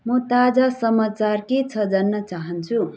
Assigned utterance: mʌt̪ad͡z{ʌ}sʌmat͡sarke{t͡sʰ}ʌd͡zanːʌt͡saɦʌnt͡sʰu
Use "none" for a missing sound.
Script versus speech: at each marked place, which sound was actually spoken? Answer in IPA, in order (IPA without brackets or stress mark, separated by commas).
a, t͡sʰ